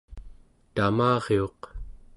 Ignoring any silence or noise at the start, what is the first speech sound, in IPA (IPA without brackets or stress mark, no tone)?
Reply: t̪